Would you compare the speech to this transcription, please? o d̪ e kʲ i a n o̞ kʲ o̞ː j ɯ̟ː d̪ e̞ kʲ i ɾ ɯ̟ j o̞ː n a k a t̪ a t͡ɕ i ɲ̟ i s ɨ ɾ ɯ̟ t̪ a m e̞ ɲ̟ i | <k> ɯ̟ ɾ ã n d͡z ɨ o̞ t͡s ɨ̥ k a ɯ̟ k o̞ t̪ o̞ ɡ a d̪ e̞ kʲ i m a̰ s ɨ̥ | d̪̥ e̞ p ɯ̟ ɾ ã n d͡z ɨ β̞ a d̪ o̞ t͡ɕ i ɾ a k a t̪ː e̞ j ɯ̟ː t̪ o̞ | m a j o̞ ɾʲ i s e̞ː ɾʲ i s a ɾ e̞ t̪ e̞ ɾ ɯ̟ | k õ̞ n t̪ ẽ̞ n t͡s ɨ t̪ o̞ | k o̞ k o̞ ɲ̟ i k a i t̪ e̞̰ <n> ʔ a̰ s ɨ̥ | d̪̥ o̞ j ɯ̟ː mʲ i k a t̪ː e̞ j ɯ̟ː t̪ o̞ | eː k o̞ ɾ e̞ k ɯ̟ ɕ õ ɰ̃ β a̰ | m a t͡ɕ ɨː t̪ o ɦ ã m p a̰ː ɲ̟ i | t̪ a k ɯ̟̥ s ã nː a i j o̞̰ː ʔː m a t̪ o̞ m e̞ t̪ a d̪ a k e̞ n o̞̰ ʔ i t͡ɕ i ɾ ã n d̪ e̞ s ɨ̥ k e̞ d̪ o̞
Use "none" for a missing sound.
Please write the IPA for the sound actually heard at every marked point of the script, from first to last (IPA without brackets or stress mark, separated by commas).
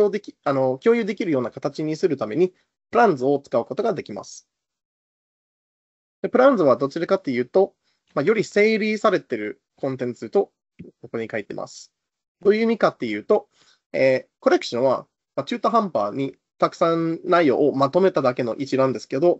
p, m